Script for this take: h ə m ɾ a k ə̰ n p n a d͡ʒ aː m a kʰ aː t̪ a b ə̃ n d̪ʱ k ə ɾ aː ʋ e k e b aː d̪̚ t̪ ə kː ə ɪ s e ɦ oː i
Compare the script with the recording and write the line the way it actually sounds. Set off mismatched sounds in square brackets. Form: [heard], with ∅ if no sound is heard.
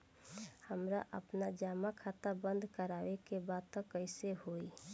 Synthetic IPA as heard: h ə m ɾ a [ʔ] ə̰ [∅] p n a d͡ʒ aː m a kʰ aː t̪ a b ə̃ n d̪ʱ k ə ɾ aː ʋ e k e b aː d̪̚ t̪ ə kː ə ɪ s e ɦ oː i